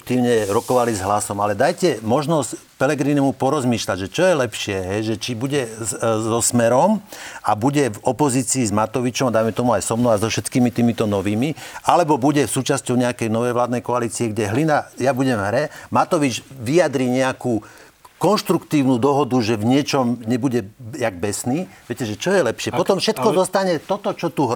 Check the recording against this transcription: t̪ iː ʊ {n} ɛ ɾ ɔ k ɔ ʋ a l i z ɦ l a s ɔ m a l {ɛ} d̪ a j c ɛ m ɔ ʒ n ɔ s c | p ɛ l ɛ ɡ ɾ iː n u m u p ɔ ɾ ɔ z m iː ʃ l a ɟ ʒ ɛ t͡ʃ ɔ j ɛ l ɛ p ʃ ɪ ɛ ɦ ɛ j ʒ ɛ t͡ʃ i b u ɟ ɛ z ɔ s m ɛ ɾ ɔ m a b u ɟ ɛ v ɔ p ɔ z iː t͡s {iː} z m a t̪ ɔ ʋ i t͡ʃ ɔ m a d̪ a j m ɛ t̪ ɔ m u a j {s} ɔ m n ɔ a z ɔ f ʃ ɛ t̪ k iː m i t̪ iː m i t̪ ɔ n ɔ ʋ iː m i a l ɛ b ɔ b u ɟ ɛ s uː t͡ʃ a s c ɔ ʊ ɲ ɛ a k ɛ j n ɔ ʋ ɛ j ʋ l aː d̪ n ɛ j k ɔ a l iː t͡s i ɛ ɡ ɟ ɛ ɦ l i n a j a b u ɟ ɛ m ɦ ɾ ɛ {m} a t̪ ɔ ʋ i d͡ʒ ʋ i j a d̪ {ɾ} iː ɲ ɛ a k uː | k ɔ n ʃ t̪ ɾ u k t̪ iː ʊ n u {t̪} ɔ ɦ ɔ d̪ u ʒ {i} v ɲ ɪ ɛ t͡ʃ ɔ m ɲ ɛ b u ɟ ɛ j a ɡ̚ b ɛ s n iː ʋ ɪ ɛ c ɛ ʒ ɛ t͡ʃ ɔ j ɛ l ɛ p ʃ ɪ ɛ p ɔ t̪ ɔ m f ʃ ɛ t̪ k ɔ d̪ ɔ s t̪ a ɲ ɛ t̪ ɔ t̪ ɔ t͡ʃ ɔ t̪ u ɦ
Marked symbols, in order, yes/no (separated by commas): no, yes, yes, yes, yes, yes, no, no